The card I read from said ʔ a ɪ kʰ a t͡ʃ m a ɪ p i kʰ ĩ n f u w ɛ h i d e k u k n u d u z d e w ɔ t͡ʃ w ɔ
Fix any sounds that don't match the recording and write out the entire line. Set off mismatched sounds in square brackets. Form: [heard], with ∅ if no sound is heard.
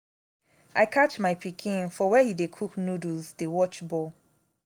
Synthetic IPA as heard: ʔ a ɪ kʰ a t͡ʃ m a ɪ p i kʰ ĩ n f [ɔ] w ɛ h i d e [kʰ] u k n u d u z d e w ɔ t͡ʃ [b] ɔ